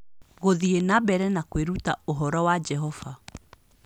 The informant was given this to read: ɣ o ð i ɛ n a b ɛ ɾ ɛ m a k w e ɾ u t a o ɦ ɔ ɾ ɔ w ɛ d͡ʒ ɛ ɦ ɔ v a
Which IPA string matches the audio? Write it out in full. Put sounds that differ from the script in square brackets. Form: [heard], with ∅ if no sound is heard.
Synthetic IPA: ɣ o ð i [e] n a b ɛ ɾ ɛ [n] a k w e ɾ u t a o ɦ ɔ ɾ ɔ w [a] d͡ʒ ɛ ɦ ɔ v a